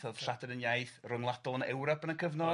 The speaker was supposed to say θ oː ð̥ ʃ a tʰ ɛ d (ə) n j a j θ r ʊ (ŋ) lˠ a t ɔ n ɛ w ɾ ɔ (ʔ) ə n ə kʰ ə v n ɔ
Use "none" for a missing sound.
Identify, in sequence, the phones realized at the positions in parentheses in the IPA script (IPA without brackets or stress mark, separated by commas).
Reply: ə, ŋ, p